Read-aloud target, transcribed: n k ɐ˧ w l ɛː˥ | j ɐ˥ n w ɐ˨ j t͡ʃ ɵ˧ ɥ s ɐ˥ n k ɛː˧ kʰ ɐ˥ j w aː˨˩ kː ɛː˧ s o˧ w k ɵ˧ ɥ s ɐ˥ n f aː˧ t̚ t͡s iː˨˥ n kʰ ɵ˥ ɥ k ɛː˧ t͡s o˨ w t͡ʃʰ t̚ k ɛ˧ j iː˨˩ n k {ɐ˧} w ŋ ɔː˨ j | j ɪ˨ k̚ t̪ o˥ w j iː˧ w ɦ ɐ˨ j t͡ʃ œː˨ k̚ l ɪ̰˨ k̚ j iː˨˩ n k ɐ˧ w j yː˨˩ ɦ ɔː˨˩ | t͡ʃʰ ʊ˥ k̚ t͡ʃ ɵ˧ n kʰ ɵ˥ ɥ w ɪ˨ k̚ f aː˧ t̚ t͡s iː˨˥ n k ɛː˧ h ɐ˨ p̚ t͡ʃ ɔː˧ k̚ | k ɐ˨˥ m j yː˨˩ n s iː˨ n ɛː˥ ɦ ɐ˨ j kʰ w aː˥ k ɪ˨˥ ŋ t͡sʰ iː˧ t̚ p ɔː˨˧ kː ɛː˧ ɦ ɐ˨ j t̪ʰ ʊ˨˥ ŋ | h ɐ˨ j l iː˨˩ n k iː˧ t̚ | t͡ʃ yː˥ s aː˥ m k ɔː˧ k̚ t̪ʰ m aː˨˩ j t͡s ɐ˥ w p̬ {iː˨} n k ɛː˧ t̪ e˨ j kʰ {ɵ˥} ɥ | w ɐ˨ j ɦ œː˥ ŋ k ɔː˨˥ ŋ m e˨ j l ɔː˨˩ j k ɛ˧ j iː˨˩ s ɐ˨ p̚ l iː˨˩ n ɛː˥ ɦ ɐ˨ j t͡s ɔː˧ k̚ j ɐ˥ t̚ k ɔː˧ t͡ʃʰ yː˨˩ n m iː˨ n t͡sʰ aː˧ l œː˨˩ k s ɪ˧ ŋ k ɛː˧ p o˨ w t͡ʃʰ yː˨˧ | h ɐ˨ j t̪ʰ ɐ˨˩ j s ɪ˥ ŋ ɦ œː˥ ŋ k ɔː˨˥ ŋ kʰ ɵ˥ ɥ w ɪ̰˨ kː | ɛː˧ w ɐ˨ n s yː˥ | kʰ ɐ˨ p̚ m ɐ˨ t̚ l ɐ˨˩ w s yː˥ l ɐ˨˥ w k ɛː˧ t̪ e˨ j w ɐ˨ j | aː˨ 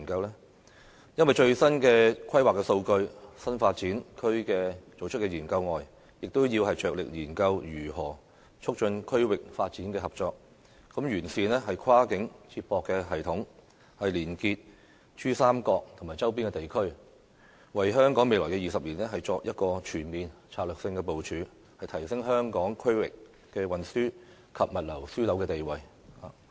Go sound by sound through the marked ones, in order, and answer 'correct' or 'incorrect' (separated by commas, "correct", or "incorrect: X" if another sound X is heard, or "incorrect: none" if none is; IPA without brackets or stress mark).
correct, incorrect: iː˥, correct